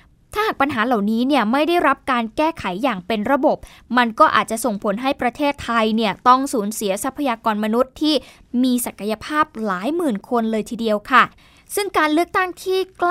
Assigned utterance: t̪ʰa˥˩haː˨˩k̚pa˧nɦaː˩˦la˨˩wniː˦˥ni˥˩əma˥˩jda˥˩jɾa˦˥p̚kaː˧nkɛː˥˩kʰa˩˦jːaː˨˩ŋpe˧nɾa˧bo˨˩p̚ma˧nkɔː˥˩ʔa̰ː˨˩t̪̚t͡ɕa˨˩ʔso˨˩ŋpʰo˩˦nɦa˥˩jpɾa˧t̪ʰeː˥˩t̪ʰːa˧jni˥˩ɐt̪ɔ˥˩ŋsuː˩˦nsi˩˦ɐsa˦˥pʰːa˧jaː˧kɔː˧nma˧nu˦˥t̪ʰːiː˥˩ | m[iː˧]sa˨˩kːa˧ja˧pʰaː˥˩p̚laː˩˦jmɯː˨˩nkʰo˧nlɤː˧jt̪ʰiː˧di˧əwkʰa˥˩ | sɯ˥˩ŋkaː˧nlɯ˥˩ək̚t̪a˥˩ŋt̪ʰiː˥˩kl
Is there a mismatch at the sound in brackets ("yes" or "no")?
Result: no